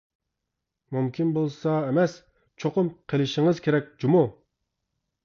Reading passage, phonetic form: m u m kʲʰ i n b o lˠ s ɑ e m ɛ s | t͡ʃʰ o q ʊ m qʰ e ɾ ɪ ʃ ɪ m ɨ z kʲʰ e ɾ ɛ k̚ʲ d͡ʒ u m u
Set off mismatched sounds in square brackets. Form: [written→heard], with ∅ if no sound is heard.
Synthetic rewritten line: m u m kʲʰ i n b o lˠ s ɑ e m ɛ s | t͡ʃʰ o q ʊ m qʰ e [ɾ→l] ɪ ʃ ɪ [m→ŋ] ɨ z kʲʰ e ɾ ɛ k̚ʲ d͡ʒ u m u